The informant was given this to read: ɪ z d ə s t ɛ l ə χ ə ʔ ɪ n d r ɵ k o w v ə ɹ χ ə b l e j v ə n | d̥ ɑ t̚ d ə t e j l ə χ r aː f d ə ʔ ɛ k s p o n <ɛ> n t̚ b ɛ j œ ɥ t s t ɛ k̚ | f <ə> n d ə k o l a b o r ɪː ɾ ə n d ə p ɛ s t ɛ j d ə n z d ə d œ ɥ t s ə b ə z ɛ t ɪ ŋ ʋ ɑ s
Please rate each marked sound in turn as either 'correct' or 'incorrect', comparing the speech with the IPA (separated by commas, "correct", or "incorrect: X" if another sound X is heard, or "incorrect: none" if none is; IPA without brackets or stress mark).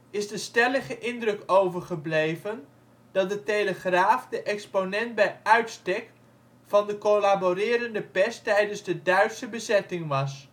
correct, incorrect: ɑ